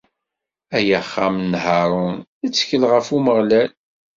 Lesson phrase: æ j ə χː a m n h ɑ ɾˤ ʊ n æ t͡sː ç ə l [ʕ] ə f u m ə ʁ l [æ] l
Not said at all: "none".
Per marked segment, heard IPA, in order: ʁ, æ

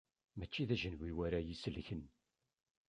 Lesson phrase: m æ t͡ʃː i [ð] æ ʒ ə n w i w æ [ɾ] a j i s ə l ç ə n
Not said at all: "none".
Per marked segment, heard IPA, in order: ð, ɾ

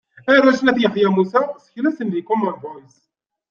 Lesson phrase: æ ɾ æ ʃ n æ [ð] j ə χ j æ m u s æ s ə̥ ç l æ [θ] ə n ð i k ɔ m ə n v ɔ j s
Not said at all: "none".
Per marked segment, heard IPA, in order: θ, s

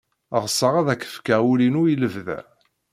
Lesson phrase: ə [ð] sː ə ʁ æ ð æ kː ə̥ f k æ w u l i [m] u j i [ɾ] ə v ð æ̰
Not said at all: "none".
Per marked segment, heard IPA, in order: ʁ, n, l

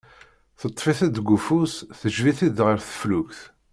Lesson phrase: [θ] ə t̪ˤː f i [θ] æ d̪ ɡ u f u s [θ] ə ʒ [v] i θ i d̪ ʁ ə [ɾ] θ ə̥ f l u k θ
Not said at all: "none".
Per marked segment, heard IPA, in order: θ, θ, θ, v, ɾ

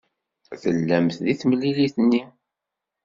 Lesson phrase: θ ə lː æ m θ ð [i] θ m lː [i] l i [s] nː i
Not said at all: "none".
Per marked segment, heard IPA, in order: i, i, θ

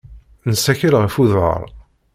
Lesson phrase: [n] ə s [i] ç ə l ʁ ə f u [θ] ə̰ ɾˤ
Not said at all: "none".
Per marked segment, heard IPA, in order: n, æ, ð

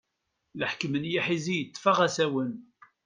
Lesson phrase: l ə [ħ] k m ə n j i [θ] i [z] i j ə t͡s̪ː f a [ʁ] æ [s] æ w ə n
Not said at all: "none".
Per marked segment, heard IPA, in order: ħ, ħ, z, ʁ, s

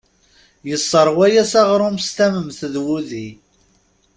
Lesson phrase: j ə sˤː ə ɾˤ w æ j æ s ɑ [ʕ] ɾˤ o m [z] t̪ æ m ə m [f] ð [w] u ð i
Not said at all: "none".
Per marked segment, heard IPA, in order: ʁ, s, θ, w

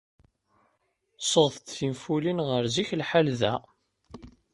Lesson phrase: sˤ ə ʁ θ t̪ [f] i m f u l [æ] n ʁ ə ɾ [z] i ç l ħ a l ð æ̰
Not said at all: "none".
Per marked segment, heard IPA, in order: θ, i, z

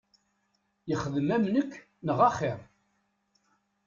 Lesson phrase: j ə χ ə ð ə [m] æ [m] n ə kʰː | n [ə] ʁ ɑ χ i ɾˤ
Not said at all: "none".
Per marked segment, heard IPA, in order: m, m, ə

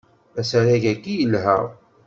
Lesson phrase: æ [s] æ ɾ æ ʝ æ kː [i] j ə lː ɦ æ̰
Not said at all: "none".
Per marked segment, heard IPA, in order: s, i

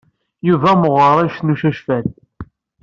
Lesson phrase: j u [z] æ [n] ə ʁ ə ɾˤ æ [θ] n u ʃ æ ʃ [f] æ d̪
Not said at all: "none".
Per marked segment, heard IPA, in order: v, m, ʃ, f

